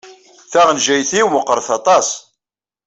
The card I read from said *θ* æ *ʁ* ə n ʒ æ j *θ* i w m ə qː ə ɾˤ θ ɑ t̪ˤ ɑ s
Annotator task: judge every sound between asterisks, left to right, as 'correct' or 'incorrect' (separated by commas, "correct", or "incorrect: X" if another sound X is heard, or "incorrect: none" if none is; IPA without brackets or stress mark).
correct, correct, correct